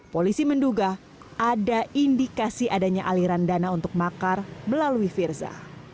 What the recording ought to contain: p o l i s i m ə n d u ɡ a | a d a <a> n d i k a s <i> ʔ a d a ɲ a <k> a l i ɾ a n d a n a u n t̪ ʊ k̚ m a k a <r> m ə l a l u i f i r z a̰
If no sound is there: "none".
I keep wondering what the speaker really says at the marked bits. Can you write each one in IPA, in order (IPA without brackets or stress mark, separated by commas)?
i, i, ʔ, r